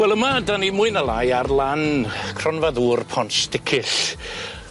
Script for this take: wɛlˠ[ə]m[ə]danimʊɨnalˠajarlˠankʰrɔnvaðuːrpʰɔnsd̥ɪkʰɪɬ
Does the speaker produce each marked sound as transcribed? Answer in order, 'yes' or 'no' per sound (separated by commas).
yes, no